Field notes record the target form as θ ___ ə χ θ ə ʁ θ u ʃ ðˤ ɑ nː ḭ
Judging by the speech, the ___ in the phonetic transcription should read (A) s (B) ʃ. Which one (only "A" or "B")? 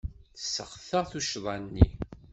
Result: A